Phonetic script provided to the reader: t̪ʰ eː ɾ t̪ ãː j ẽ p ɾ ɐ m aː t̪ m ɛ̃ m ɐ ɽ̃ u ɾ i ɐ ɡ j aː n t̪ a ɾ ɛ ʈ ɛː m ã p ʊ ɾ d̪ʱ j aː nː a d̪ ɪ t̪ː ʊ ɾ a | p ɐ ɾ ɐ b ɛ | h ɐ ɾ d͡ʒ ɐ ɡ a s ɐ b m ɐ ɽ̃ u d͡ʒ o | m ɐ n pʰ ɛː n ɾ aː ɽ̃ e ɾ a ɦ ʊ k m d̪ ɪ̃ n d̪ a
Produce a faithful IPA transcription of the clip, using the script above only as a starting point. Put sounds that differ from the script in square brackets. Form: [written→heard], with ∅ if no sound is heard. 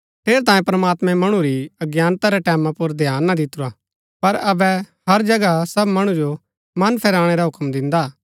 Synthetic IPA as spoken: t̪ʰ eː ɾ t̪ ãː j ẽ p ɾ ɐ m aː t̪ m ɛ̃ m ɐ ɽ̃ u ɾ i ɐ ɡ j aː n t̪ a ɾ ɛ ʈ ɛː m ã p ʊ ɾ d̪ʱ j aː nː a d̪ ɪ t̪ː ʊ ɾ a | p ɐ ɾ ɐ b ɛ | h ɐ ɾ d͡ʒ ɐ ɡ a s ɐ b m ɐ ɽ̃ u d͡ʒ o | m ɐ n pʰ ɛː [n→∅] ɾ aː ɽ̃ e ɾ a ɦ ʊ k m d̪ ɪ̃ n d̪ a